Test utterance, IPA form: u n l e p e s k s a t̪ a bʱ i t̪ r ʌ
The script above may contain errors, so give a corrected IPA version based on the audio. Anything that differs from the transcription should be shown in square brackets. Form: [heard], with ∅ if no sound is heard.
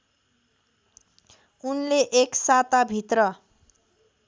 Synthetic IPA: u n l e [ʔ] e [∅] k s a t̪ a bʱ i t̪ r ʌ

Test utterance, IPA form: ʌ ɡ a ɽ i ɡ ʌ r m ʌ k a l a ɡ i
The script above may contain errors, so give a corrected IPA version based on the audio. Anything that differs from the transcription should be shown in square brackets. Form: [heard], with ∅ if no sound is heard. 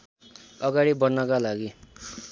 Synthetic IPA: ʌ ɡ a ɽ i [b] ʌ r [n] ʌ k a l a ɡ i

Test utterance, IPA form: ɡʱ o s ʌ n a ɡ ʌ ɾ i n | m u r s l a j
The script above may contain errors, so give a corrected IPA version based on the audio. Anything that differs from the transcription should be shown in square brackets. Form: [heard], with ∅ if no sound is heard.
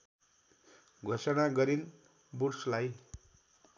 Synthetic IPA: ɡʱ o s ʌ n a ɡ ʌ ɾ i n | [b] u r s l a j

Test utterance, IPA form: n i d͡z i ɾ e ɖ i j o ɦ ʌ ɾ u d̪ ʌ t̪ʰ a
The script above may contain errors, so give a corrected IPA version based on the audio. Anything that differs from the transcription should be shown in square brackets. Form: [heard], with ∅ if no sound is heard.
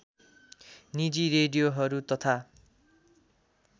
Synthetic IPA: n i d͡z i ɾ e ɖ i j o ɦ ʌ ɾ u [t̪] ʌ t̪ʰ a

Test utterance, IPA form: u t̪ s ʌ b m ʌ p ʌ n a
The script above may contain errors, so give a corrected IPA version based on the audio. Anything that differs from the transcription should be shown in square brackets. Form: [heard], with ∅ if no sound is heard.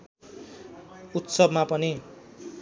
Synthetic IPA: u t̪ s ʌ b m [a] p ʌ n [i]

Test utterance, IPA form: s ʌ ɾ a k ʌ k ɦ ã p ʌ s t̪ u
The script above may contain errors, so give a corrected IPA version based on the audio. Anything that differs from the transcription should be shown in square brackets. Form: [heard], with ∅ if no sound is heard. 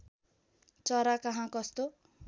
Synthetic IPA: [t͡s] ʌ ɾ a k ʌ [∅] ɦ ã [k] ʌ s t̪ [o]

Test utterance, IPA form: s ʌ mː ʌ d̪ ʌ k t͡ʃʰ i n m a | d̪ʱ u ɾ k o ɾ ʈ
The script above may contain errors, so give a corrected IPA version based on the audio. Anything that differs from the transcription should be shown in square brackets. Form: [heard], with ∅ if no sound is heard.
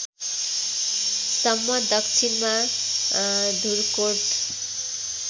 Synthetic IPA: s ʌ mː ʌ d̪ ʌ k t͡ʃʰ i n m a | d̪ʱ u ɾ k o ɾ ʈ

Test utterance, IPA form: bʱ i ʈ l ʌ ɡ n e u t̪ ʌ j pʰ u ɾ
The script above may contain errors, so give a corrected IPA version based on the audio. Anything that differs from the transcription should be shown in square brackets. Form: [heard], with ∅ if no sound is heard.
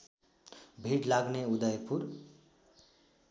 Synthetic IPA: bʱ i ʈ l [a] ɡ n e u [d̪] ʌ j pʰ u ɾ

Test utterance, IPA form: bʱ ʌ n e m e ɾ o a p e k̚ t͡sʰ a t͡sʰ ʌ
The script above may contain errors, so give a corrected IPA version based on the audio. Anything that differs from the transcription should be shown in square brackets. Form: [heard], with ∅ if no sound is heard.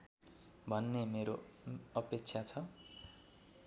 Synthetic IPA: bʱ ʌ [nː] e m e ɾ o [ʌ] p e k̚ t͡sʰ a t͡sʰ ʌ

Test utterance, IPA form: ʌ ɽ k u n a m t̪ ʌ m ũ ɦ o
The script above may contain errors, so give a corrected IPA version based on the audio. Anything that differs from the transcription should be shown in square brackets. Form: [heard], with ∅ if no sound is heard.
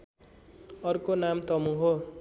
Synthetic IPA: ʌ [r] k [o] n a m t̪ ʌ m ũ ɦ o

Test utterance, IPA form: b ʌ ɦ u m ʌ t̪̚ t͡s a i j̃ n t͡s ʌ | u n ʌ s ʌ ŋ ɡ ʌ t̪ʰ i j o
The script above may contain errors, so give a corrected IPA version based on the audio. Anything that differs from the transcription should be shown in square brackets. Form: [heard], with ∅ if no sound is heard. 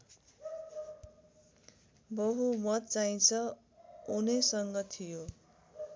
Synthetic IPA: b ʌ ɦ u m ʌ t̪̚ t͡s a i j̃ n [t͡sʰ] ʌ | u n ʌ s ʌ ŋ ɡ ʌ t̪ʰ i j o

